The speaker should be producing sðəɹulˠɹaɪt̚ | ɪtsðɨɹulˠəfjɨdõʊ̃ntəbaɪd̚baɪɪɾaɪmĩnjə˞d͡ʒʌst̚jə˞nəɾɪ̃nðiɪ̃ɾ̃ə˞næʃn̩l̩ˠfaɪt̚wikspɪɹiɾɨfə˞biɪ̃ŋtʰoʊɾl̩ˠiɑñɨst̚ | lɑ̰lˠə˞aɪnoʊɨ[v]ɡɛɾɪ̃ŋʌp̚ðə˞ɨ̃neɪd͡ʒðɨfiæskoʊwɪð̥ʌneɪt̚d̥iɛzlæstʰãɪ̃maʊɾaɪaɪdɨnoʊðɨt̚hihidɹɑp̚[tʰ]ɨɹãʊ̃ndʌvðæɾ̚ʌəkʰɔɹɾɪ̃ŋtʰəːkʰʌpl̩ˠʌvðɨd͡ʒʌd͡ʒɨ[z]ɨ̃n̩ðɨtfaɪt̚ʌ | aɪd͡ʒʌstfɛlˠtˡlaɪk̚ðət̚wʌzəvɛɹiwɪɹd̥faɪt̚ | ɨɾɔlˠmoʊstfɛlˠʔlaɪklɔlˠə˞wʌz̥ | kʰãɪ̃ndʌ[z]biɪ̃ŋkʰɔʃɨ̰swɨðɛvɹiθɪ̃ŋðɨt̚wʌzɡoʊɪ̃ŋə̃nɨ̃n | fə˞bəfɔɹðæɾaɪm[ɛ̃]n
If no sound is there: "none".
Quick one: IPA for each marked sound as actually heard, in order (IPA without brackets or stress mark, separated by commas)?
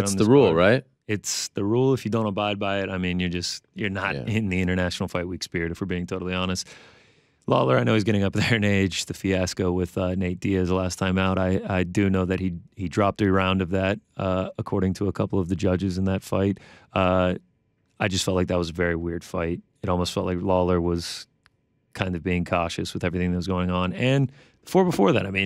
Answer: z, t, z, v, ĩ